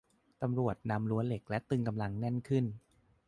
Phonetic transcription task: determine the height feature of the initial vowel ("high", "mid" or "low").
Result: low